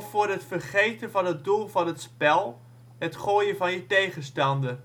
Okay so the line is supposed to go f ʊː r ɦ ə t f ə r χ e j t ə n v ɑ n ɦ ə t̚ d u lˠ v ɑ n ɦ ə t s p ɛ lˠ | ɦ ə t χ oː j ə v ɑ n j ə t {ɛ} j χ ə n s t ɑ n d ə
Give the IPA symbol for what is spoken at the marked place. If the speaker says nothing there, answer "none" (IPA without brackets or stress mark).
e